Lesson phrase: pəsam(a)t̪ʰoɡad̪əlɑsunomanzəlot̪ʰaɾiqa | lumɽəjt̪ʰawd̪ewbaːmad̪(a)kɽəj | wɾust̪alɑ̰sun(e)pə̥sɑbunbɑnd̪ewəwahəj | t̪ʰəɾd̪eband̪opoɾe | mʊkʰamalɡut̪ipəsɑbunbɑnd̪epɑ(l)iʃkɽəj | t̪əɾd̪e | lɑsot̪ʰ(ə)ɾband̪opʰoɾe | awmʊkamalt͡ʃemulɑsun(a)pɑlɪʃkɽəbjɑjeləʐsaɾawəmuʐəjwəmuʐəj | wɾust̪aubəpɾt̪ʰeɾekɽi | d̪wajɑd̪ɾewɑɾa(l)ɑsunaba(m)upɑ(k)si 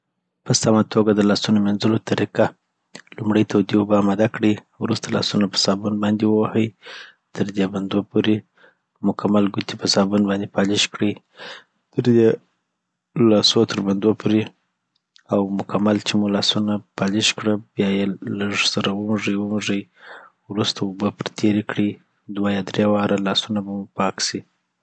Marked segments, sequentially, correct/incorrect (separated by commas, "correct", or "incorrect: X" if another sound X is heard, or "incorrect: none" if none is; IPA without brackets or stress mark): correct, correct, incorrect: a, correct, correct, correct, correct, correct, correct